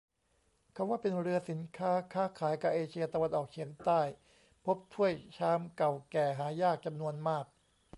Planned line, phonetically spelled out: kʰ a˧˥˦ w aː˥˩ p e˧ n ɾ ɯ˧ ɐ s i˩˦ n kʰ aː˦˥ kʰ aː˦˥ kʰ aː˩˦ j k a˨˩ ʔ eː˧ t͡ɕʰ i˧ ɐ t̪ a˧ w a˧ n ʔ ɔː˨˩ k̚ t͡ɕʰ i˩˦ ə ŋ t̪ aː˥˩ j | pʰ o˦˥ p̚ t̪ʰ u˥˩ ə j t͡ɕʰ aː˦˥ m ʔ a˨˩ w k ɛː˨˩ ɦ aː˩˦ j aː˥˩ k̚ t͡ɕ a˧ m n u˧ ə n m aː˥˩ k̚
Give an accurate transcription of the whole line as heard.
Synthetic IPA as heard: kʰ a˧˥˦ w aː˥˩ p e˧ n ɾ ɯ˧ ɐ s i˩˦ n kʰ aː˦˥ kʰ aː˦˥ kʰ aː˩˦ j k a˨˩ ʔ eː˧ t͡ɕʰ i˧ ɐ t̪ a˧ w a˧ n ʔ ɔː˨˩ k̚ t͡ɕʰ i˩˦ ə ŋ t̪ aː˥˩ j | pʰ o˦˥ p̚ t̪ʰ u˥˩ ə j t͡ɕʰ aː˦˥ m k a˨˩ w k ɛː˨˩ ɦ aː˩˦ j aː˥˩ k̚ t͡ɕ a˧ m n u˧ ə n m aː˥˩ k̚

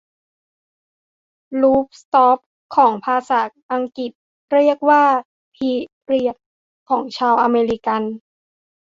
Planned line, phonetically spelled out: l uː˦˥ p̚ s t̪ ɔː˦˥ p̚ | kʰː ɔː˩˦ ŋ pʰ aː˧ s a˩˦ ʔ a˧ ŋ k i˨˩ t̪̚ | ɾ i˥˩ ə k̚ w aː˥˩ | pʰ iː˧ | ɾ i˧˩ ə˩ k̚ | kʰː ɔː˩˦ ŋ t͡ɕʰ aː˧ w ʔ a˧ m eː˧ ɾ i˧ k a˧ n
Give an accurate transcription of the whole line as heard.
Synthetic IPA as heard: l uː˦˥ p̚ s t̪ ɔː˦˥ p̚ | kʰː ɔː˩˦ ŋ pʰ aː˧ s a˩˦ ʔ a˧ ŋ k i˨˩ t̪̚ | ɾ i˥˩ ə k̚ w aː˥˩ | pʰ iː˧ | ɾ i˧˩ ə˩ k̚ | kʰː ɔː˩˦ ŋ t͡ɕʰ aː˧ w ʔ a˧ m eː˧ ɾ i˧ k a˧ n

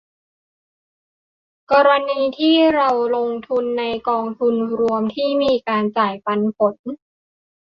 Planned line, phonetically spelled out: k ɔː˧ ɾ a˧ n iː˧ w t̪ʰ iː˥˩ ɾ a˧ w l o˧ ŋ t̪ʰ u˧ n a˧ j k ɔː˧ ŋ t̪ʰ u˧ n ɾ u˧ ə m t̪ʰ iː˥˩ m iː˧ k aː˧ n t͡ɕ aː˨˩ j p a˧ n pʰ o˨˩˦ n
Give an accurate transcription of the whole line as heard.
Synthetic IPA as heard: k ɔː˧ ɾ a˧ n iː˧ t̪ʰ iː˥˩ ɾ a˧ w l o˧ ŋ t̪ʰ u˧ nː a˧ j k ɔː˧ ŋ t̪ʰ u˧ n ɾ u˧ ə m t̪ʰ iː˥˩ m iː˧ k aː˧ n t͡ɕ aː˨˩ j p a˧ n pʰ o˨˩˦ n

